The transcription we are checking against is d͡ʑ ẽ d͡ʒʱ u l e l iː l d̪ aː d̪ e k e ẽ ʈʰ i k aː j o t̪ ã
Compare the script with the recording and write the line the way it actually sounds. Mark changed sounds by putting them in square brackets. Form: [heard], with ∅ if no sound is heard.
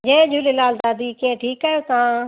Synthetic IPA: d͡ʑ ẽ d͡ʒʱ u l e l [aː] l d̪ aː d̪ [i] k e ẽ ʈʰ [iː] k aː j o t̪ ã